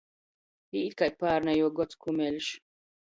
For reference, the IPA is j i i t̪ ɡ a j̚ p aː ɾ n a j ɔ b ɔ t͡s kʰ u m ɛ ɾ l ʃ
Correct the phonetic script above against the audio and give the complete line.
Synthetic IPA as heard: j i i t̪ k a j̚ p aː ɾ n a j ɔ ɡ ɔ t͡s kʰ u m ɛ l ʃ